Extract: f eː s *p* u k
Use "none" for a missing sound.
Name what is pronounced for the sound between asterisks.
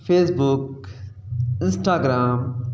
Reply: b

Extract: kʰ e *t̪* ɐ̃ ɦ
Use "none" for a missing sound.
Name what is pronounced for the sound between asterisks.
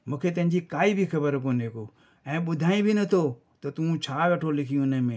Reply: t̪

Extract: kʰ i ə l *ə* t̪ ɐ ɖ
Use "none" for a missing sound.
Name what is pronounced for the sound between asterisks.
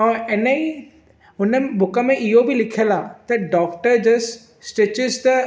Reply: a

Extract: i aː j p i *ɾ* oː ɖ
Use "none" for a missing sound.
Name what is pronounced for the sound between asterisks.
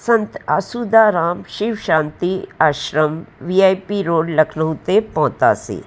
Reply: ɾ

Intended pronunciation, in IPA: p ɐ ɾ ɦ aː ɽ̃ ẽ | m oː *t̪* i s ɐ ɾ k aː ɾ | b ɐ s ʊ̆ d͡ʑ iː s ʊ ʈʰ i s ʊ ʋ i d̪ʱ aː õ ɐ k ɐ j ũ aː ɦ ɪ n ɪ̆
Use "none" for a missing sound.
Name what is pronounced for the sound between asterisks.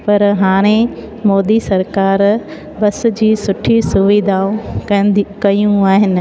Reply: d̪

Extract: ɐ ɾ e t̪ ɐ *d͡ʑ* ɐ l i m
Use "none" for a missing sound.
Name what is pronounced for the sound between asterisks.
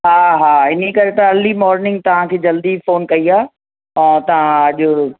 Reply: none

